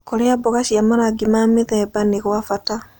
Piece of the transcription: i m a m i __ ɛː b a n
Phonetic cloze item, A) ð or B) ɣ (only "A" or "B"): A